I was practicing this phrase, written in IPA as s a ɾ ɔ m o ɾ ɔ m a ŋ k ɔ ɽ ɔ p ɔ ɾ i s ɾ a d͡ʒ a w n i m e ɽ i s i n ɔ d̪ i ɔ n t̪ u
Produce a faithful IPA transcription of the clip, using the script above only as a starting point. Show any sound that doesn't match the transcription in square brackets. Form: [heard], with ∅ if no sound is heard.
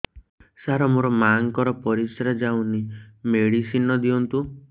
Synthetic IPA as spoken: s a ɾ ɔ m o ɾ ɔ m a ŋ k ɔ [ɾ] ɔ p ɔ ɾ i s ɾ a d͡ʒ a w n i m e ɽ i s i n ɔ d̪ i ɔ n t̪ u